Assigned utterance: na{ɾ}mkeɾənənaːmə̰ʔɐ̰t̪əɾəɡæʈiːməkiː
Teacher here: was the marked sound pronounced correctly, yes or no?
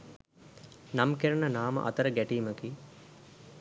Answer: no